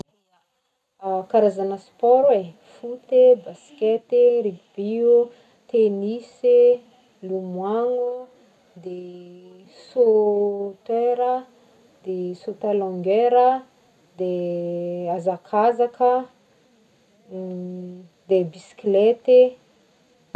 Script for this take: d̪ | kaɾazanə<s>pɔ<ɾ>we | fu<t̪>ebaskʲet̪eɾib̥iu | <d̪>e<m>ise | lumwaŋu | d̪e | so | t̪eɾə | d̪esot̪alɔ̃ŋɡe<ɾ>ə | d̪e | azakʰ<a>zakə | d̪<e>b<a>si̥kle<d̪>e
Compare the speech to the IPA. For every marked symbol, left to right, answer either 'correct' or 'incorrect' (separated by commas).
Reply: correct, correct, correct, incorrect, incorrect, correct, correct, correct, incorrect, incorrect